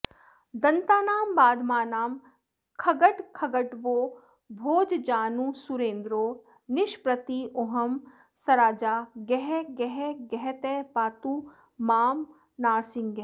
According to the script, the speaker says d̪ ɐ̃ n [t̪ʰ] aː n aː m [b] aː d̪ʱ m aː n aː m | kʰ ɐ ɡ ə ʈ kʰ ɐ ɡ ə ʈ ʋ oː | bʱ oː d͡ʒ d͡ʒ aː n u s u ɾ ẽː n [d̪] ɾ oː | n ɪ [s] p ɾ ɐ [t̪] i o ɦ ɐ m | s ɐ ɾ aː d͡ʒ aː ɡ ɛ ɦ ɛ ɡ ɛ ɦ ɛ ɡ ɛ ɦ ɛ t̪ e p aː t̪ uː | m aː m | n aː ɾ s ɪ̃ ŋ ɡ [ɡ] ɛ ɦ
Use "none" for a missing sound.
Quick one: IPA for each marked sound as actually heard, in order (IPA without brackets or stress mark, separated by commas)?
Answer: t̪, b, d̪, ʃ, t̪, ɡ